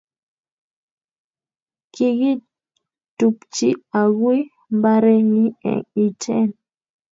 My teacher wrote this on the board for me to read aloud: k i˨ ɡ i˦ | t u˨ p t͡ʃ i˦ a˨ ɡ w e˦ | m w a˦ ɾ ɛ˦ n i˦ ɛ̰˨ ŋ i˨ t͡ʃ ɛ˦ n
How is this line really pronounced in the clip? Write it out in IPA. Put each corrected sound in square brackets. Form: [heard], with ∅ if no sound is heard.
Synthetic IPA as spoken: k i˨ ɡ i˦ | t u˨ p t͡ʃ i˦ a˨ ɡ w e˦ | m [b] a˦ ɾ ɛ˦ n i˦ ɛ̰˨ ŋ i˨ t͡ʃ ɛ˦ n

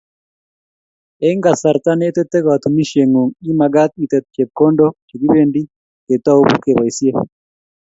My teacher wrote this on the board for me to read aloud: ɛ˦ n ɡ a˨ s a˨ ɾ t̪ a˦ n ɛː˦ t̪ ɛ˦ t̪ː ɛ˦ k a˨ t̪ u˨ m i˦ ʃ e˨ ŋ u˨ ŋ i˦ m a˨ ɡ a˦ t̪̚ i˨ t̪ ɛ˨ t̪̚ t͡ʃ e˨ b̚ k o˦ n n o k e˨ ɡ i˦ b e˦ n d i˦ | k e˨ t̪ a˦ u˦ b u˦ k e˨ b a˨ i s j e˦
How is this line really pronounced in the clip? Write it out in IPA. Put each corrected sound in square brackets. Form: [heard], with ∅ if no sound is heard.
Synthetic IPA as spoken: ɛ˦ [ŋ] ɡ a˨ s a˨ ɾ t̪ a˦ n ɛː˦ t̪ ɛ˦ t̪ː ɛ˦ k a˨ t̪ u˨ m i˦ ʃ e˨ ŋ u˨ ŋ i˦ m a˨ ɡ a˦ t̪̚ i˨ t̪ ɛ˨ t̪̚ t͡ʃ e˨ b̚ k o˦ n [d] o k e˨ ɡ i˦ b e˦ n d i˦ | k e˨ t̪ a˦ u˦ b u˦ k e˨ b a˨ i s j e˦

